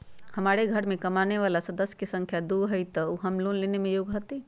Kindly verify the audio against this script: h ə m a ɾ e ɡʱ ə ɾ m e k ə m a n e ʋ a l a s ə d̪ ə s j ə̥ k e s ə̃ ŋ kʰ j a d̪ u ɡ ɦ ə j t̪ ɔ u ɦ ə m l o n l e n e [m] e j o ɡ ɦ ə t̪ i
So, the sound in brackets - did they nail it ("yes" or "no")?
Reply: yes